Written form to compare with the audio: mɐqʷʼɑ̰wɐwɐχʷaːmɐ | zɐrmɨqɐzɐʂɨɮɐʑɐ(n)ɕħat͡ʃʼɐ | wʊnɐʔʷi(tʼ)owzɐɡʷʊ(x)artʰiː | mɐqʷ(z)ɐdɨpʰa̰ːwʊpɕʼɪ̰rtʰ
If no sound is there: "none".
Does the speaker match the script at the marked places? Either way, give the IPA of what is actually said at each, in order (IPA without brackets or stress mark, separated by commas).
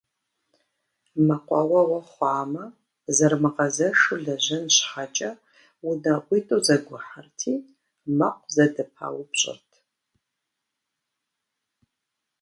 n, tʼ, ħ, z